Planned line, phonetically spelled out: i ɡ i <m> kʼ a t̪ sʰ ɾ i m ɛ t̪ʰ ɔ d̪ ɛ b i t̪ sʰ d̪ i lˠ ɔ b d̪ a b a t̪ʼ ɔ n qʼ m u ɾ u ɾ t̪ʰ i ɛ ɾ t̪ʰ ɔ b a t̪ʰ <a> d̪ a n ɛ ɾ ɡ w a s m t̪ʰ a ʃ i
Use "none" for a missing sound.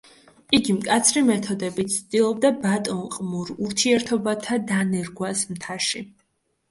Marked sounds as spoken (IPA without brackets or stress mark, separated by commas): m, a